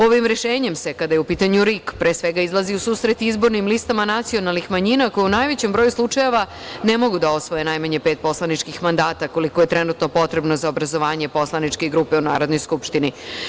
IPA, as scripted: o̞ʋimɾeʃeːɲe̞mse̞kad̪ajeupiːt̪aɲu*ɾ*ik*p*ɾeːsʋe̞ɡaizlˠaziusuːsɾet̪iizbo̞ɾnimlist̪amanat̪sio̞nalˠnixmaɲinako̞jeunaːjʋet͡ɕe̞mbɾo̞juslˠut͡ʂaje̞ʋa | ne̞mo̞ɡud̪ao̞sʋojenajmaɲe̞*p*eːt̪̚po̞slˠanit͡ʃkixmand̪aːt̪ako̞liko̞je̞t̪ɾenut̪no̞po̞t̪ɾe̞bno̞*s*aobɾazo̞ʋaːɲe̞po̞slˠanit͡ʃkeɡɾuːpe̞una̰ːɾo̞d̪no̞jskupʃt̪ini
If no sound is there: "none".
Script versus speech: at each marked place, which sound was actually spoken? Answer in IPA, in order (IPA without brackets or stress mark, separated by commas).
ɾ, p, p, z